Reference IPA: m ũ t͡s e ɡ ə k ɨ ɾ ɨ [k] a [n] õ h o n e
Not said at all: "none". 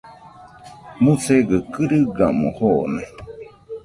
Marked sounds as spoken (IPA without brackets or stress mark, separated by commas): ɡ, m